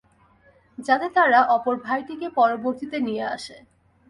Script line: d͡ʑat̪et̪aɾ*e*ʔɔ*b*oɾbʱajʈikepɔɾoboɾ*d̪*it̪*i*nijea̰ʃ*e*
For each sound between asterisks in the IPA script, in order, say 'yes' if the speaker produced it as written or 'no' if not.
no, no, no, no, yes

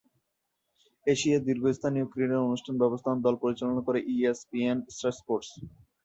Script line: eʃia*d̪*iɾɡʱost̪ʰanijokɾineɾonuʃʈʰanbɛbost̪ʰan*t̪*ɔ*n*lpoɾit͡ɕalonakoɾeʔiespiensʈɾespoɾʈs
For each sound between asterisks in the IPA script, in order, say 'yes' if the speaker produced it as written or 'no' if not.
yes, no, no

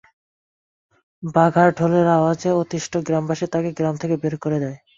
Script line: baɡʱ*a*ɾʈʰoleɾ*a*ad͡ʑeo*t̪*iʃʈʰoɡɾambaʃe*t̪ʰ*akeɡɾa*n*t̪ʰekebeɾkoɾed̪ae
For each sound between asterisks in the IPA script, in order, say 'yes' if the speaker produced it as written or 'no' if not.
yes, yes, yes, no, no

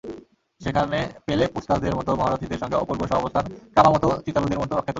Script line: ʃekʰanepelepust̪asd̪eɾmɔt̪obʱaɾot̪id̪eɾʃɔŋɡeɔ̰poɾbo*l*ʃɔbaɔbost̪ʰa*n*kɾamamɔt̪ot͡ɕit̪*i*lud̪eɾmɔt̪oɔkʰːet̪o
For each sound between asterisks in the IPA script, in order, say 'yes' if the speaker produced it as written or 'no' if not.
no, yes, no

